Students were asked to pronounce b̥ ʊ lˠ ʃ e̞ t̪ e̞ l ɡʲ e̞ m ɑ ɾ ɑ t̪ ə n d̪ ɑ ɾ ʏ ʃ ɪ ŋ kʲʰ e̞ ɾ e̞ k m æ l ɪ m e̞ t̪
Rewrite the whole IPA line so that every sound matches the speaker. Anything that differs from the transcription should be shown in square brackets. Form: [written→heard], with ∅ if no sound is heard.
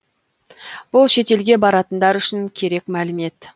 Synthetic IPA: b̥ ʊ lˠ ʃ e̞ t̪ e̞ l ɡʲ e̞ [m→b] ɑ ɾ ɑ t̪ ə n d̪ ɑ ɾ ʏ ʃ ɪ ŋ kʲʰ e̞ ɾ e̞ k m æ l ɪ m e̞ t̪